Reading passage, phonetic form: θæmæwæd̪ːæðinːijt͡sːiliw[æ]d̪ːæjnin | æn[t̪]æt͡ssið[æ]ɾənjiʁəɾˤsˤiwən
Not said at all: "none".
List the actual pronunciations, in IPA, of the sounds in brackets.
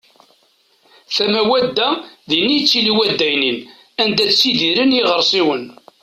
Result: æ, d̪, i

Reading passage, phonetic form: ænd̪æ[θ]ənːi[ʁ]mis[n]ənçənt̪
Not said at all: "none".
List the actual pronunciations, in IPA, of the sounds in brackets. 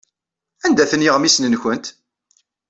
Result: θ, ʁ, n

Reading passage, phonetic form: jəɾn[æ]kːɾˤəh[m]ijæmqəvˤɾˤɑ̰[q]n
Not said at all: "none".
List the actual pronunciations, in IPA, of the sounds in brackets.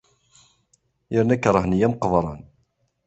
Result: æ, n, none

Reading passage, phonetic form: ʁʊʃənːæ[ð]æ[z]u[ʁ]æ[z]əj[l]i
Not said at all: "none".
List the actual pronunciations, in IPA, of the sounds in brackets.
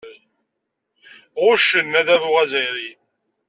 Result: ð, ð, ʁ, z, ɾ

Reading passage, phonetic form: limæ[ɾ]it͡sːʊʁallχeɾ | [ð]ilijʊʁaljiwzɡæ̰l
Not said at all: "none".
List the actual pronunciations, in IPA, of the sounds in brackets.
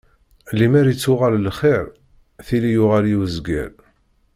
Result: ɾ, θ

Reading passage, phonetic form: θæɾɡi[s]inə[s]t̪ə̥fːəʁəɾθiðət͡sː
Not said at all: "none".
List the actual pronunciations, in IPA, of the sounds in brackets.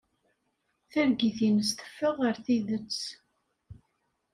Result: θ, s

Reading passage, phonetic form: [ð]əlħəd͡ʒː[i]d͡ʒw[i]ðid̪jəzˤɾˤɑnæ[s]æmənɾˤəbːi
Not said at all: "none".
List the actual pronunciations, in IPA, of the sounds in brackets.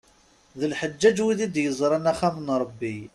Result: ð, æ, i, χ

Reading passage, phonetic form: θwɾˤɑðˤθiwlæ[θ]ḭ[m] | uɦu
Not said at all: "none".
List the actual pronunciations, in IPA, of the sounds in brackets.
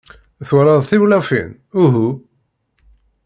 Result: f, n

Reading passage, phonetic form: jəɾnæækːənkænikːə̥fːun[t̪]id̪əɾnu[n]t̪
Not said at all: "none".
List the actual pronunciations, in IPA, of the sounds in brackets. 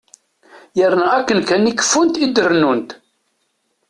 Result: t̪, n

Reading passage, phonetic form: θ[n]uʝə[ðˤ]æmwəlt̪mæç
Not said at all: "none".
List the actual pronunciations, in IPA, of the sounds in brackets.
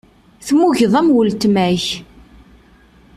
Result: m, ðˤ

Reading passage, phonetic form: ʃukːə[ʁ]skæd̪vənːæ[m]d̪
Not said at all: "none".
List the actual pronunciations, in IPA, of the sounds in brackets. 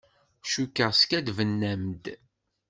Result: ʁ, m

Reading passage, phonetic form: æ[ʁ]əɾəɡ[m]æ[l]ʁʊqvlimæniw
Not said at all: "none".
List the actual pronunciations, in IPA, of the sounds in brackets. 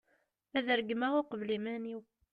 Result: ð, m, none

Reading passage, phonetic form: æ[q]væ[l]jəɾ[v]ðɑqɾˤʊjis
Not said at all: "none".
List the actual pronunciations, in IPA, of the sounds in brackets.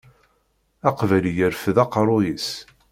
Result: q, l, f

